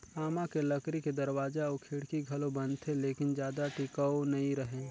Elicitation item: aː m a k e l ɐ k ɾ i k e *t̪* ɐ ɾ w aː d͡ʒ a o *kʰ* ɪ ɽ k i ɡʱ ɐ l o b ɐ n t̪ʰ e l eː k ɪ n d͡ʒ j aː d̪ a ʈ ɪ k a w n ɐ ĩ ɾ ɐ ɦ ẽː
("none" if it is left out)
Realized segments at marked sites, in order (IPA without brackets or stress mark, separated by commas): d̪, kʰ